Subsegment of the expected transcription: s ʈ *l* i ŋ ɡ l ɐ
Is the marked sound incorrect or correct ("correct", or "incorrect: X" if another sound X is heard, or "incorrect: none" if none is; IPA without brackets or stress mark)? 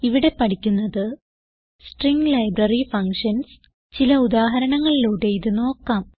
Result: incorrect: r